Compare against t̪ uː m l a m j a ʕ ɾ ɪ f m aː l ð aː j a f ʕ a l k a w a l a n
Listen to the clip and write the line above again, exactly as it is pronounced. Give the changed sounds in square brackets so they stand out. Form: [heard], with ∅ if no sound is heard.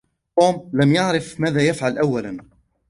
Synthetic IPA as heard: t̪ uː m l a m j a ʕ ɾ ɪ f m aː [∅] ð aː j a f ʕ a l [ʔ] a [wː] a l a n